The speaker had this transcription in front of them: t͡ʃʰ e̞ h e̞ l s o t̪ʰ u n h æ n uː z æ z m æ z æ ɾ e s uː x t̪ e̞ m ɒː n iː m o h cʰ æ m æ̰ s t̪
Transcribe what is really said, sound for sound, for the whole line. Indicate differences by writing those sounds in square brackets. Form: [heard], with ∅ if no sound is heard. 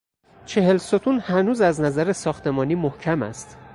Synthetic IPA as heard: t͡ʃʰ e̞ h e̞ l s o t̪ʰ u n h æ n uː z æ z [n] æ z æ ɾ e s [ɒː] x t̪ e̞ m ɒː n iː m o h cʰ æ m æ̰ s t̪